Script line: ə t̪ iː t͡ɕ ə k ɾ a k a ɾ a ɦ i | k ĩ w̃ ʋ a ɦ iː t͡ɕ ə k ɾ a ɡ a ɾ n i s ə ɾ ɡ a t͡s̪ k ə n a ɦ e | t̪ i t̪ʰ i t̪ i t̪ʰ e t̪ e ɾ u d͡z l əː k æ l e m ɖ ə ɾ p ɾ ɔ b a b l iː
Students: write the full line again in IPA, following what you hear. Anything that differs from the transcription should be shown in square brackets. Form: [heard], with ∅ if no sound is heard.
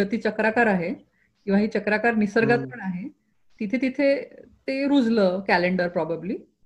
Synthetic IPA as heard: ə t̪ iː t͡ɕ ə k ɾ a k a ɾ a ɦ [e] | k ĩ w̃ ʋ a ɦ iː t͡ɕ ə k ɾ a [k] a ɾ n i s ə ɾ ɡ a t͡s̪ [p] ə [ɳ] a ɦ e | t̪ i t̪ʰ [e] t̪ i t̪ʰ e t̪ e ɾ u d͡z l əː k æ l e [ɳ] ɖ ə ɾ p ɾ ɔ b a b l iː